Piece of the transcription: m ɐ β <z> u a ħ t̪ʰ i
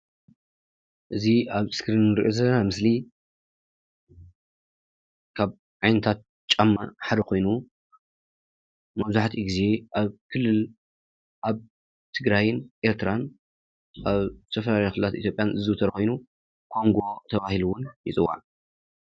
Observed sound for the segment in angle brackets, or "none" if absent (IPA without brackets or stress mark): z